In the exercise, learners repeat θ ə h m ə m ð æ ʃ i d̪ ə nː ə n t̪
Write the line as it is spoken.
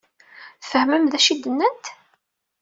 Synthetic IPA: f ə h m ə m ð æ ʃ i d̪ ə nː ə n t̪